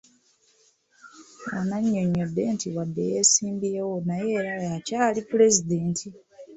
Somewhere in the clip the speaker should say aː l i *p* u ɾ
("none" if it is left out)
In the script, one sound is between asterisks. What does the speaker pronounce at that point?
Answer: p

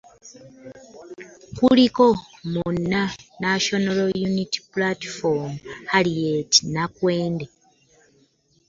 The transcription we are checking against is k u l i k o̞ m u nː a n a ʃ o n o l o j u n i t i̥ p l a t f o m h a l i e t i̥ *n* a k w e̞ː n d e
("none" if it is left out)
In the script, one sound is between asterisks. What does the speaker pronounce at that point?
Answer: n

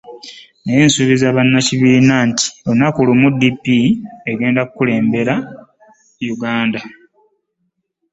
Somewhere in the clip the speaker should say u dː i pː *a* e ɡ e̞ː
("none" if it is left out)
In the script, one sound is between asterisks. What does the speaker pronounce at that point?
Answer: i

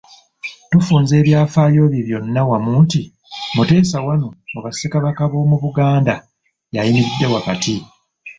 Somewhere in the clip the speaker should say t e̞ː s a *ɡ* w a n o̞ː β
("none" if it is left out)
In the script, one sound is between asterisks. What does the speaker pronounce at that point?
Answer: none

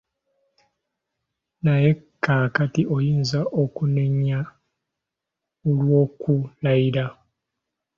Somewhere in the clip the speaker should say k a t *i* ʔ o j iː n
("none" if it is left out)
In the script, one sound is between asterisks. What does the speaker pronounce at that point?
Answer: i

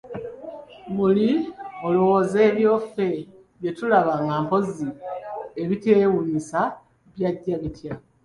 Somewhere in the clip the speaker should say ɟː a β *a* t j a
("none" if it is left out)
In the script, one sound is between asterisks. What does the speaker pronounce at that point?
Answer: i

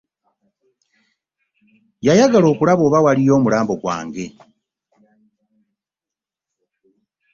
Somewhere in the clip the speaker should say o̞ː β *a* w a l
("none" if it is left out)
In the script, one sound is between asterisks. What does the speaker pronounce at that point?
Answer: a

